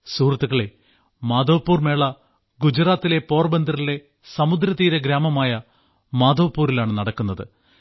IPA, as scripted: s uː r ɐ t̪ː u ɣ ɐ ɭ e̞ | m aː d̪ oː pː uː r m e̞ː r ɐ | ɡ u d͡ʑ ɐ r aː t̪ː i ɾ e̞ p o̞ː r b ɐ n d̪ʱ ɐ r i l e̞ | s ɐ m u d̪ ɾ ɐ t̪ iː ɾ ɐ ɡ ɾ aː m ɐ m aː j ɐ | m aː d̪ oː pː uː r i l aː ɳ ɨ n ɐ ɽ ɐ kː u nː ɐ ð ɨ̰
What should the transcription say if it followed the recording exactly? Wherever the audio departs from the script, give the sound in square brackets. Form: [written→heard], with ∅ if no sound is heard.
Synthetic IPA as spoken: s uː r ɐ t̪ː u ɣ ɐ ɭ e̞ | m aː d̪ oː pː uː r m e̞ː [r→ɭ] ɐ | ɡ u d͡ʑ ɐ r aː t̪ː i [ɾ→l] e̞ p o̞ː r b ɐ n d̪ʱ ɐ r i l e̞ | s ɐ m u d̪ ɾ ɐ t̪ iː ɾ ɐ ɡ ɾ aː m ɐ m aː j ɐ | m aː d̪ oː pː uː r i l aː ɳ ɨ n ɐ ɽ ɐ kː u nː ɐ ð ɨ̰